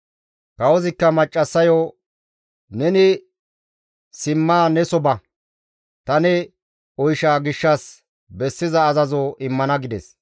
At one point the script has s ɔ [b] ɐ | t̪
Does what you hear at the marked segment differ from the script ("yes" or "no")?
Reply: no